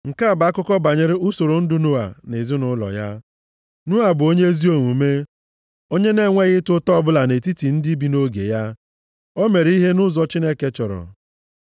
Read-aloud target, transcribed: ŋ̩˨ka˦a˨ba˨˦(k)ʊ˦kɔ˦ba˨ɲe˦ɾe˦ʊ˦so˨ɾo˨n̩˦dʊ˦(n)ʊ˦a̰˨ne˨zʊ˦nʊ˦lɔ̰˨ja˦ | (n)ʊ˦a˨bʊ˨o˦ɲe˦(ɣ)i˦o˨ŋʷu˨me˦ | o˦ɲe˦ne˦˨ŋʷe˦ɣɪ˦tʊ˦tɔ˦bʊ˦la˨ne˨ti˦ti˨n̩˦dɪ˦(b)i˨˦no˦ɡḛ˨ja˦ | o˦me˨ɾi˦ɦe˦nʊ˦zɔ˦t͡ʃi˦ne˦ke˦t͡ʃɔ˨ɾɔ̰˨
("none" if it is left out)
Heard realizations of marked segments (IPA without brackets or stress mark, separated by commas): k, n, n, z, b